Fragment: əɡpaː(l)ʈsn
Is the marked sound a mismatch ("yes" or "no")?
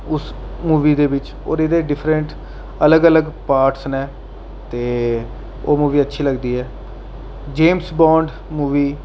yes